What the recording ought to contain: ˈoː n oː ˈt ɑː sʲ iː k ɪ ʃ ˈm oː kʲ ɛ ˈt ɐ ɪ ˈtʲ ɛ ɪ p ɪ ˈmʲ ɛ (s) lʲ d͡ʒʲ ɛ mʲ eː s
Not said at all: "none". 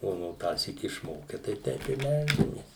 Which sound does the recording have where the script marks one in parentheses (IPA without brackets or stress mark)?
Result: none